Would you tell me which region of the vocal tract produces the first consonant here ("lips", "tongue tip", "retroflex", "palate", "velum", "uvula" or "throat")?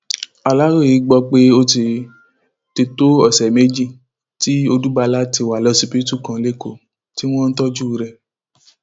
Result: tongue tip